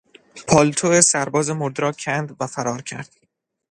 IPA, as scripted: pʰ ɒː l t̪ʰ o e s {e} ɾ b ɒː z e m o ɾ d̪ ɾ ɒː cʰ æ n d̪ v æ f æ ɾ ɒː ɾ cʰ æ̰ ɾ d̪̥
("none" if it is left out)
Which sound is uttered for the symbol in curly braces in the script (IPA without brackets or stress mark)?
æ